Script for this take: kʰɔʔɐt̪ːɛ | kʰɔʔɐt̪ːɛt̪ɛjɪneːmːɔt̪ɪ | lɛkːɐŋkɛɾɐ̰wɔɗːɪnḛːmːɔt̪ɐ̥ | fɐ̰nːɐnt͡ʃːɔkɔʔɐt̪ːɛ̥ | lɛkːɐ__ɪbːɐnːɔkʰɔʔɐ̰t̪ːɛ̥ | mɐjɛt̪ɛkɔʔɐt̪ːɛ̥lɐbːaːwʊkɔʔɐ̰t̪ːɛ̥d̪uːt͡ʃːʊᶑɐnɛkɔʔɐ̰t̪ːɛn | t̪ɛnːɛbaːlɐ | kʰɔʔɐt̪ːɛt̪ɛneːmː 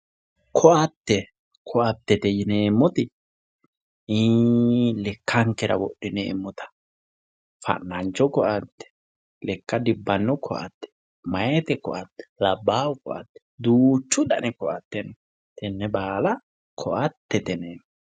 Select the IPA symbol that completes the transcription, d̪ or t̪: d̪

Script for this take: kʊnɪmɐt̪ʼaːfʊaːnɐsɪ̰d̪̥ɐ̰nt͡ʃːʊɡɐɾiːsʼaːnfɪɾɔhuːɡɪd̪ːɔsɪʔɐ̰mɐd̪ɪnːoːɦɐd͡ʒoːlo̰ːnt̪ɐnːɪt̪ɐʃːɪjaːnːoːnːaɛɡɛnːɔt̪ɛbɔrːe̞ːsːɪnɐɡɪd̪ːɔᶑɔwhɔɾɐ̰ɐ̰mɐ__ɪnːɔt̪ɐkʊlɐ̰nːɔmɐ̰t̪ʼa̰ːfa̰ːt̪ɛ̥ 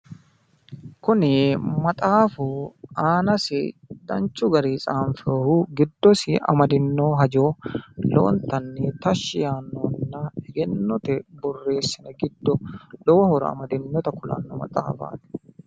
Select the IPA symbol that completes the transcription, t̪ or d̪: d̪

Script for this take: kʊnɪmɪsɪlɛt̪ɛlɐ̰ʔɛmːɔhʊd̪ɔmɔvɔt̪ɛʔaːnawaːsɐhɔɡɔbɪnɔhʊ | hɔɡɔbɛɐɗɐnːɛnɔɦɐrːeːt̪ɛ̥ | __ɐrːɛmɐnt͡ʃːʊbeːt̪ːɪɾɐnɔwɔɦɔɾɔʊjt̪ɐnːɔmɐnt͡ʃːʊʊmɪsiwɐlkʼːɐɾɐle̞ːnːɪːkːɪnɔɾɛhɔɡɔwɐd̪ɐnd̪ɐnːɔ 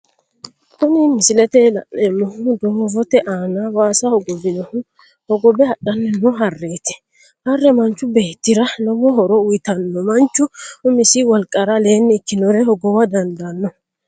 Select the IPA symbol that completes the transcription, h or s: h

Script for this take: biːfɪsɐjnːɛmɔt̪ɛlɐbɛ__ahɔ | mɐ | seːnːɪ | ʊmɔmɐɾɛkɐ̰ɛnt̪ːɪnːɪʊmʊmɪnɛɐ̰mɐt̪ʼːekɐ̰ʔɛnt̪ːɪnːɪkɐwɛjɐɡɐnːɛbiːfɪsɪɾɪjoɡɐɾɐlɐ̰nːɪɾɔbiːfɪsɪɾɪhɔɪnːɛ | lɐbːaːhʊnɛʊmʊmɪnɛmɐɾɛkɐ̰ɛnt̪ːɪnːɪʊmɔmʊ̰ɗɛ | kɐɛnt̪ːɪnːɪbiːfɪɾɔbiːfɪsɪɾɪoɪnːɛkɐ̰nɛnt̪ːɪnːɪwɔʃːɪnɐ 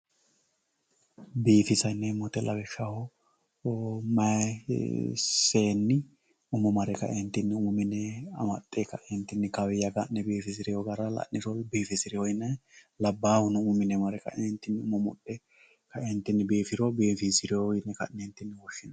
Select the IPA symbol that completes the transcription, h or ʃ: ʃ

